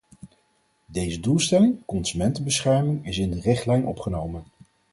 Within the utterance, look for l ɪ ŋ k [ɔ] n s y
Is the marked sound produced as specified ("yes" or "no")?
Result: yes